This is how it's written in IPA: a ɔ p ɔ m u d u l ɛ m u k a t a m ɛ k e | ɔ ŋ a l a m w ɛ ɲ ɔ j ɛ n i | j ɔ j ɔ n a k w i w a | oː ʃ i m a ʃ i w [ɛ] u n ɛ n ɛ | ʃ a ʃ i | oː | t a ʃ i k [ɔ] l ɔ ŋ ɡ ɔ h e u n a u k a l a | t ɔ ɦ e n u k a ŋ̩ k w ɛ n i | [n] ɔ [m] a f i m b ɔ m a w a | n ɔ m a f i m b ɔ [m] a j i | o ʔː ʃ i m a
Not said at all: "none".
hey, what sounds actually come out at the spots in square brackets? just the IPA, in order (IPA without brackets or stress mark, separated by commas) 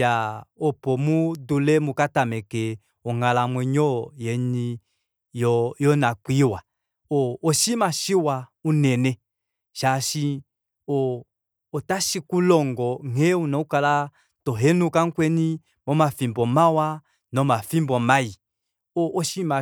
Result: a, u, m, m, m